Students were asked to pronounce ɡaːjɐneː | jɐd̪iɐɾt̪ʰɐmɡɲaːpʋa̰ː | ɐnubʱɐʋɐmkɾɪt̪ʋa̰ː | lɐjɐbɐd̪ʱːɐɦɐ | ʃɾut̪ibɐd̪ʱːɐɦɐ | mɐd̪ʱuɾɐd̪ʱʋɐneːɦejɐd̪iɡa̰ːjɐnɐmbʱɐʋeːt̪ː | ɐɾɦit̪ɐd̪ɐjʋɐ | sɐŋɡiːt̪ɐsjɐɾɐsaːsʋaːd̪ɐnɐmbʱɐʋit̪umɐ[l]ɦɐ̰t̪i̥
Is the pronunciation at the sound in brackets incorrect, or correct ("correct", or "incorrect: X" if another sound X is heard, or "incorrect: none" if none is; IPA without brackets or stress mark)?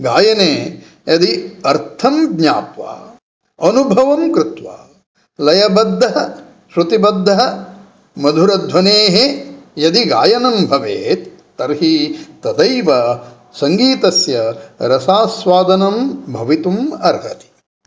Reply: incorrect: ɾ